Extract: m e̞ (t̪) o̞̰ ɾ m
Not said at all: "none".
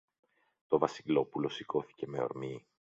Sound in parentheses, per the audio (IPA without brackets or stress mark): none